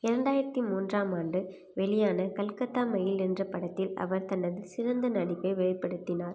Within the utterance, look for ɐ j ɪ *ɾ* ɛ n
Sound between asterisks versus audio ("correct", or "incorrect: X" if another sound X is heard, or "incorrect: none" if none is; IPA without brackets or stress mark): incorrect: l